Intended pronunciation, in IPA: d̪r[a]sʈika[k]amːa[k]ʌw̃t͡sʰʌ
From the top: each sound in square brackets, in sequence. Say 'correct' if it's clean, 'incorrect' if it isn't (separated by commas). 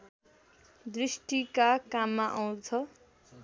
incorrect, correct, incorrect